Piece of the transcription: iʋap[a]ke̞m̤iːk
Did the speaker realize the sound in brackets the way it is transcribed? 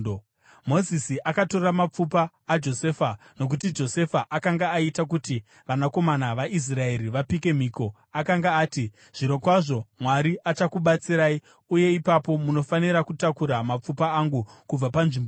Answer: no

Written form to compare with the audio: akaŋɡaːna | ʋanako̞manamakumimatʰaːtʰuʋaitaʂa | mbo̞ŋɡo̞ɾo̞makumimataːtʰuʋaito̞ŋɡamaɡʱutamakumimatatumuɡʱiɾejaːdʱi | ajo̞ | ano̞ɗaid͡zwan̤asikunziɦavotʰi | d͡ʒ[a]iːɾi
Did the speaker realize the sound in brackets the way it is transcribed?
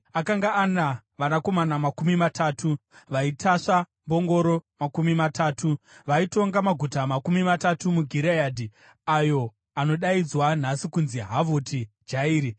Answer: yes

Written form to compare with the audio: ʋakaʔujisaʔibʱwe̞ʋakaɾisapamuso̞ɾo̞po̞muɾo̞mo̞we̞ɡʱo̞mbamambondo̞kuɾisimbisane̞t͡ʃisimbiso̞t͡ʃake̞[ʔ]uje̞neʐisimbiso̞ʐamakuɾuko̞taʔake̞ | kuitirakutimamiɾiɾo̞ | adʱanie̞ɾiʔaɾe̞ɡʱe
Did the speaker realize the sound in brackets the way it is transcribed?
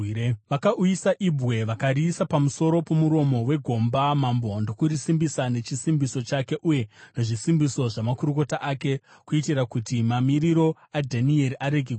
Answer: yes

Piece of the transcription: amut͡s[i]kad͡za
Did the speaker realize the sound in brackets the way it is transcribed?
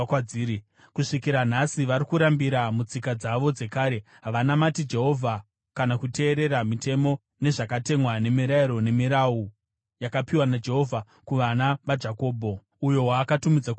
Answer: yes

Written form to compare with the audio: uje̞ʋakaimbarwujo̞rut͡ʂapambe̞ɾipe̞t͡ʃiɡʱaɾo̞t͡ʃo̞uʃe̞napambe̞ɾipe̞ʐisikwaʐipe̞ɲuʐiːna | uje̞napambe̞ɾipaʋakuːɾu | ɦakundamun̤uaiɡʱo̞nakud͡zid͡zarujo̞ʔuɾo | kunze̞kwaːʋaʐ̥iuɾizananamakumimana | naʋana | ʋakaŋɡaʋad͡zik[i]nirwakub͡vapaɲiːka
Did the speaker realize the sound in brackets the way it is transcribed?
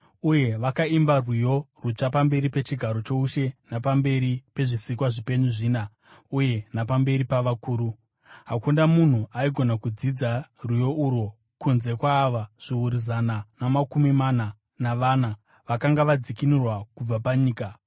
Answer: yes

